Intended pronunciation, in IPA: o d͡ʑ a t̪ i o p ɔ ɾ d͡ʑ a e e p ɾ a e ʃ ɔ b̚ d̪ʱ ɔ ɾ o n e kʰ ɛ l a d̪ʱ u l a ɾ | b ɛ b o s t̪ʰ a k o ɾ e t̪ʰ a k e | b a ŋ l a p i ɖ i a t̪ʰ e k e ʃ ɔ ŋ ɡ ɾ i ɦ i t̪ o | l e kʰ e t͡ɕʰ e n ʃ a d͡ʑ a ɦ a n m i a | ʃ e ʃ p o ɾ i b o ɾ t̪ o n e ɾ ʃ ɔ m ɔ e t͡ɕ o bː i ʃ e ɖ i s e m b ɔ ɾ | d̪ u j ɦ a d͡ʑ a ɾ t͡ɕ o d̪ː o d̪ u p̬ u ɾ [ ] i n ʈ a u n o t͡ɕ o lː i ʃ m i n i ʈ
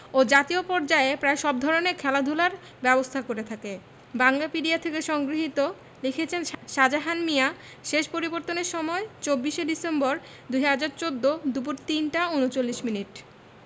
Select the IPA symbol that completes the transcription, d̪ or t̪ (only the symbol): t̪